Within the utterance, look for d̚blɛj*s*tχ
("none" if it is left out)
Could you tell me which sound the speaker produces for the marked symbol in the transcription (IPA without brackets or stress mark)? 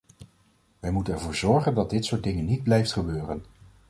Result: f